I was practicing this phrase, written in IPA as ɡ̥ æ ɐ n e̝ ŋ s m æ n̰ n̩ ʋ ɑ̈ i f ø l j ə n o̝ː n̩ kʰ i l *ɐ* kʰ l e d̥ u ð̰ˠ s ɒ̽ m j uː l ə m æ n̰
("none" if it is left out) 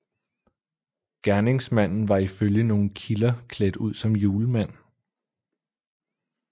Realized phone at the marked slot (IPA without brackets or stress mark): ɐ